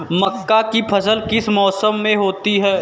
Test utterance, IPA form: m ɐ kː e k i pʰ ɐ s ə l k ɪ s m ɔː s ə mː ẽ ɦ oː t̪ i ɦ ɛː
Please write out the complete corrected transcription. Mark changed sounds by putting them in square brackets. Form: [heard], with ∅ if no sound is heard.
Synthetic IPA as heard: m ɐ kː [a] k i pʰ ɐ s ə l k ɪ s m ɔː s ə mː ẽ ɦ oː t̪ i ɦ ɛː